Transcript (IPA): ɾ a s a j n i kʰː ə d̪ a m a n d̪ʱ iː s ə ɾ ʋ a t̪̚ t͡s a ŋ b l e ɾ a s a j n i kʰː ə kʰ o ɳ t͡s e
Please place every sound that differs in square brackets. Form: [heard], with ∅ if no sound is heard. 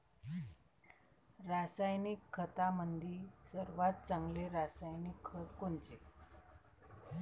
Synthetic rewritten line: ɾ a s a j n i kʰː ə [t̪] a m [ə] n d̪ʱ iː s ə ɾ ʋ a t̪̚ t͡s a ŋ [ɡ] l e ɾ a s a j n i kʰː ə [k] o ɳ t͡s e